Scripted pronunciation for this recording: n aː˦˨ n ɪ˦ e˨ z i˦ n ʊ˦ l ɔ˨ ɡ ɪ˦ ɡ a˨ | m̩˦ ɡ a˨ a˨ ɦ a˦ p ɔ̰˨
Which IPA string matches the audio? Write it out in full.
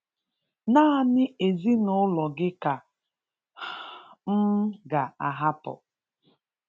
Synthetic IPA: n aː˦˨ n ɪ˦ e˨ z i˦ n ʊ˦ l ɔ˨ ɡ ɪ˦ k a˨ | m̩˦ ɡ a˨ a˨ ɦ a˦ p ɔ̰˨